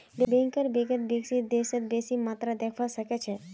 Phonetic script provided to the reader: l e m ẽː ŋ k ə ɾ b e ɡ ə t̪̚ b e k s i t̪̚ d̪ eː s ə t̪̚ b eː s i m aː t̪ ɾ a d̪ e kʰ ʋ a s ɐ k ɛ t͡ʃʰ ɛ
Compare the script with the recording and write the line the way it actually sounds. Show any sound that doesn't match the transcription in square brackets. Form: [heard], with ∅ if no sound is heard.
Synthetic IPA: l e [b] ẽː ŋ k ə ɾ b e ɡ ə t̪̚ b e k s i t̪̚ d̪ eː s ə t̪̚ b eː s i m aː t̪ ɾ a d̪ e kʰ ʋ a s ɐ k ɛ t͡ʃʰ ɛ